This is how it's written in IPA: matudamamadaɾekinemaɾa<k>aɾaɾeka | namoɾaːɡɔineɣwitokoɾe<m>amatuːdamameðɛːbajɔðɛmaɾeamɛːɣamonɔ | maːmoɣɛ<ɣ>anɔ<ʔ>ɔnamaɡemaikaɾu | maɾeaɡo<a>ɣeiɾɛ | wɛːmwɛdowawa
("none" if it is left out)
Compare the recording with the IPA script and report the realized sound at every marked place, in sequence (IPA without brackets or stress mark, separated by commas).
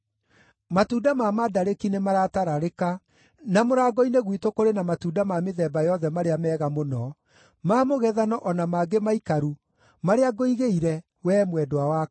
t, n, ð, ʔ, i